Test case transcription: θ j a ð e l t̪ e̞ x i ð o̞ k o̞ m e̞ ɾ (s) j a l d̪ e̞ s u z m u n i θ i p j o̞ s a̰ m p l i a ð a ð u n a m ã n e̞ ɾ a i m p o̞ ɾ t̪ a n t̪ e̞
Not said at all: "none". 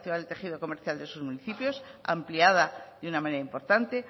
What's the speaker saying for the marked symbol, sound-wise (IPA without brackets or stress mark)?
θ